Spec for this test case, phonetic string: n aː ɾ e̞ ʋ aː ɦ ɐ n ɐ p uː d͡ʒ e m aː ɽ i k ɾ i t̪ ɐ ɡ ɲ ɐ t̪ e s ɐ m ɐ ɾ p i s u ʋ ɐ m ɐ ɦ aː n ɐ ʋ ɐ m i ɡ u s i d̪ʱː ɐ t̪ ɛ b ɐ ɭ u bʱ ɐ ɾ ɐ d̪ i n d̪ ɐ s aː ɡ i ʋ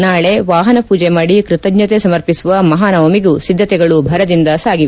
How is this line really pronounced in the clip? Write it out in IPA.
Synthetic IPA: n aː ɭ e̞ ʋ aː ɦ ɐ n ɐ p uː d͡ʒ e m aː ɽ i k ɾ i t̪ ɐ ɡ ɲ ɐ t̪ e s ɐ m ɐ ɾ p i s u ʋ ɐ m ɐ ɦ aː n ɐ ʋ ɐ m i ɡ u s i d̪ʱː ɐ t̪ ɛ ɡ ɐ ɭ u bʱ ɐ ɾ ɐ d̪ i n d̪ ɐ s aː ɡ i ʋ